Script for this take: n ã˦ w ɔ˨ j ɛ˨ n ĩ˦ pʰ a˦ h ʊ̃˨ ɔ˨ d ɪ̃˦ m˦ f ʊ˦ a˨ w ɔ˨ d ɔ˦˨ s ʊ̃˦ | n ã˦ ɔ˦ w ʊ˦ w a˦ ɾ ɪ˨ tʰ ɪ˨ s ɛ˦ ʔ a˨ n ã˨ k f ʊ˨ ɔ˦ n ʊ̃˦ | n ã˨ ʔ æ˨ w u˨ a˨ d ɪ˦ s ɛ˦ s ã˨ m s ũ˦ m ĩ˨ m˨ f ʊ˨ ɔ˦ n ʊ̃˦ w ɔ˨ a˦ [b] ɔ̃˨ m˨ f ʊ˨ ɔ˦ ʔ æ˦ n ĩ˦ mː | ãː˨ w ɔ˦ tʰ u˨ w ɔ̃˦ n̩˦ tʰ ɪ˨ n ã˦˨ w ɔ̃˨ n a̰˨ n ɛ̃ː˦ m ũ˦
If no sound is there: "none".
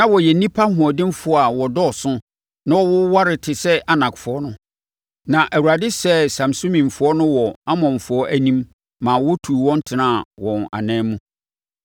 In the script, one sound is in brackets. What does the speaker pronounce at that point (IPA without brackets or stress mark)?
m